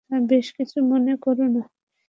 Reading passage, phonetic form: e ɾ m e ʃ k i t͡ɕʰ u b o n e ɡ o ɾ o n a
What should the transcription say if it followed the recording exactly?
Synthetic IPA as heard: a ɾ b e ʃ k i t͡ɕʰ u m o n e k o ɾ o n a